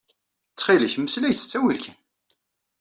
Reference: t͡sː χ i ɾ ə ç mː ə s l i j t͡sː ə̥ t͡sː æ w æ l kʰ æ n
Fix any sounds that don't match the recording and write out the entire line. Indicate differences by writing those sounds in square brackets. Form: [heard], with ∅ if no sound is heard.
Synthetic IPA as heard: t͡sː χ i [l] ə ç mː ə s l [æ] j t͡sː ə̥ t͡sː æ w [i] l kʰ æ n

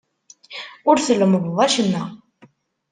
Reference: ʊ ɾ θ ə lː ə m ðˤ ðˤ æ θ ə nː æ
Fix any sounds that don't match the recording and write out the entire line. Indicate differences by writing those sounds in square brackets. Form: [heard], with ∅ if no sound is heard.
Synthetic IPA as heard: ʊ ɾ θ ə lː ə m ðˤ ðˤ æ [ʃ] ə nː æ

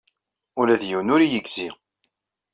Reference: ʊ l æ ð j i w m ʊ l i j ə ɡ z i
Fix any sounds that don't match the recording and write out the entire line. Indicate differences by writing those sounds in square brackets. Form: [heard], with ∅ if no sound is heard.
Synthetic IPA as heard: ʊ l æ ð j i w [n] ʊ [ɾ] i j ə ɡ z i

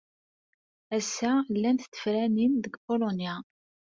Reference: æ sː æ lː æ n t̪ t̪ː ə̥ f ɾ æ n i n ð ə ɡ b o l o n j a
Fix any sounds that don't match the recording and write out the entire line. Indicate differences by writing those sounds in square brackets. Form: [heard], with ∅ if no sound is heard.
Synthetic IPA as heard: æ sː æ lː æ n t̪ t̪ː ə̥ f ɾ æ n i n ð ə ɡ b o l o n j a

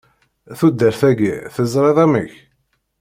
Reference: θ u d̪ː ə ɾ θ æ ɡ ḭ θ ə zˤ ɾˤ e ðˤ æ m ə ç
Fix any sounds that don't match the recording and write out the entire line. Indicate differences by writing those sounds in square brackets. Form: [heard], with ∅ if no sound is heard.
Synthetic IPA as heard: θ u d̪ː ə ɾ θ æ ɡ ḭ θ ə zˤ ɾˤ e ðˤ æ m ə ç

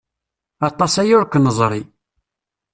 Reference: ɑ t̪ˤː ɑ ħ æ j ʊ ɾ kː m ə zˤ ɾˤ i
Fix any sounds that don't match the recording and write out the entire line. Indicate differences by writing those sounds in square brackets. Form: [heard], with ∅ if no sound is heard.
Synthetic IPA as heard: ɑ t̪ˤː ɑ [s] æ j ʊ ɾ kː [n] ə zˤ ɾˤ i

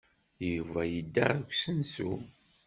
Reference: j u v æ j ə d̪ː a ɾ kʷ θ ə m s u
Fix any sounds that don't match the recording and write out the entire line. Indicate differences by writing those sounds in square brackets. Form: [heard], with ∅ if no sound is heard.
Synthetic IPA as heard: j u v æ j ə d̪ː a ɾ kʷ [s] ə [n] s u

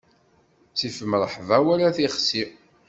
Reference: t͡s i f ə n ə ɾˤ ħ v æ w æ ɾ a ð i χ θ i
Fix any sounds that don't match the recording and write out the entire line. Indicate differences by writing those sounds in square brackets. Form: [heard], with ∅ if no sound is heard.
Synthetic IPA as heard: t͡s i f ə [m] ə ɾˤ ħ v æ w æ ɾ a [θ] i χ [s] i

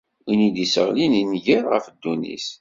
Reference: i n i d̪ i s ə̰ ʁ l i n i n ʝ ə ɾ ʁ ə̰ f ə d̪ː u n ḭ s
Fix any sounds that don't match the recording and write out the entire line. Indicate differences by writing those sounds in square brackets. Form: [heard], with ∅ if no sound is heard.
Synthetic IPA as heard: i n i d̪ i s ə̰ ʁ l i n i n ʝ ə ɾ ʁ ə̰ f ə d̪ː u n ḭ s

